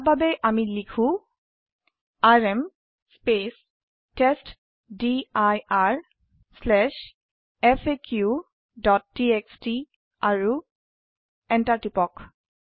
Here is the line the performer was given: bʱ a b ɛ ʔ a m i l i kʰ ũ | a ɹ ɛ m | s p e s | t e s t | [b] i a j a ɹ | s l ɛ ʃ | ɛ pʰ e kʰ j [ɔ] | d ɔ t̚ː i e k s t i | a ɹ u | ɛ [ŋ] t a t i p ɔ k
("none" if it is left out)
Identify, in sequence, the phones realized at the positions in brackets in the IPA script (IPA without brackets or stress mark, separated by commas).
d, u, n